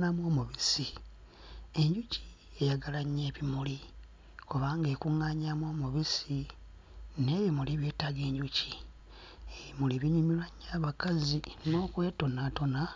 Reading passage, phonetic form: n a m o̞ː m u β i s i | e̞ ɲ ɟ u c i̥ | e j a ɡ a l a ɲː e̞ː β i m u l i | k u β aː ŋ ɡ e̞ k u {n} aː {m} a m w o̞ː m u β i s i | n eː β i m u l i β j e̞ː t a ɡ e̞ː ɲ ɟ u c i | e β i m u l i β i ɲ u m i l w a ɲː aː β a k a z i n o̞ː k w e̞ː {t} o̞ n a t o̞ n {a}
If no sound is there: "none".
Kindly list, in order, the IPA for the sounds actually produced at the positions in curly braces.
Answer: ŋ, ɲ, t, a

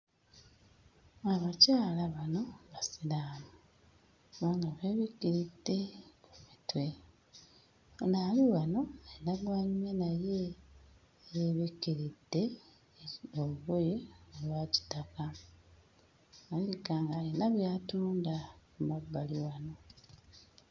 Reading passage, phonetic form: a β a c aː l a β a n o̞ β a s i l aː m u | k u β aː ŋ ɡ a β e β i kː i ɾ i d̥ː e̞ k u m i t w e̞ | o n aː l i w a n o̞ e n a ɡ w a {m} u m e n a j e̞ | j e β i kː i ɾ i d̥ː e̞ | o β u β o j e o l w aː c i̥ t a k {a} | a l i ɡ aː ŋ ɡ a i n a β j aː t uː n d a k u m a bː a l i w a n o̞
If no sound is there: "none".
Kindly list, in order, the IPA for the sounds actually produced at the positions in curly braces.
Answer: ɲ, a

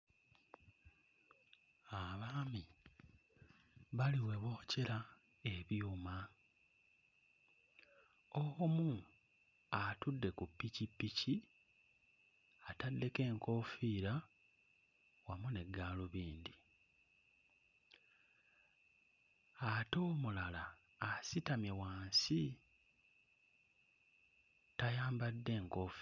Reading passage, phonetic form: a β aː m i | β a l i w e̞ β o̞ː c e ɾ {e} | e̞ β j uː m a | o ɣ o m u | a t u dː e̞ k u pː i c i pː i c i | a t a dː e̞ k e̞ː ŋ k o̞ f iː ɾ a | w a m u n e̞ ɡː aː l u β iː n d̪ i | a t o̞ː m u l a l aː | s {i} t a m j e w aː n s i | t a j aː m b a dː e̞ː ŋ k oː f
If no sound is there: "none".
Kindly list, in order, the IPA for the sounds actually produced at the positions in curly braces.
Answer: a, i

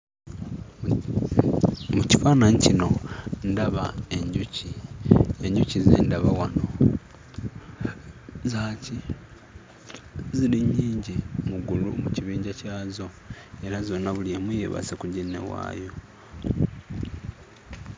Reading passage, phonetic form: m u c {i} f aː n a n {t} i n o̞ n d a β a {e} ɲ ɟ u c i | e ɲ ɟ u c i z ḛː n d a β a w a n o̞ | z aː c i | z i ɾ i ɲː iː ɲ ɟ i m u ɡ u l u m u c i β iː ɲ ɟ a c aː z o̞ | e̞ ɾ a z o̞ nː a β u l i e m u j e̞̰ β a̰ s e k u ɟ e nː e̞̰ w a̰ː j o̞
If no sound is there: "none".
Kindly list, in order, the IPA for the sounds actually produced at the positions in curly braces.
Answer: i, c, e

